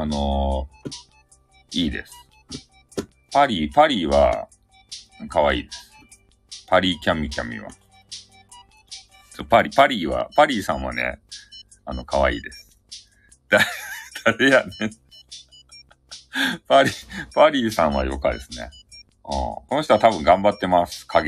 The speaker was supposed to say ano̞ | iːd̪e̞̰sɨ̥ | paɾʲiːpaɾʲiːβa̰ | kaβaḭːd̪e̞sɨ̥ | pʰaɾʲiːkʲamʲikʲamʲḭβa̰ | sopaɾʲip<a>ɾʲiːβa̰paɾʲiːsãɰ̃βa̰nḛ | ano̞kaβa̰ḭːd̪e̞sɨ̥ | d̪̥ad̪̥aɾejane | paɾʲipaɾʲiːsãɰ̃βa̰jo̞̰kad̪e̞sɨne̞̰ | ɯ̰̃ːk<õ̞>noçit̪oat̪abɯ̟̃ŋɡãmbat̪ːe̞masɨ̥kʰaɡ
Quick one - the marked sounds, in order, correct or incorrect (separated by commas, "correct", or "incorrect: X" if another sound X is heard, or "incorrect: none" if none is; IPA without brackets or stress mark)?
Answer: correct, incorrect: o̞